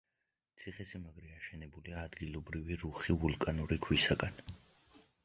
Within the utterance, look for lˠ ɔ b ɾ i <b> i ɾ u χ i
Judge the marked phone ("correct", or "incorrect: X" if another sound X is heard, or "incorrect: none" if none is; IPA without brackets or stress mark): incorrect: v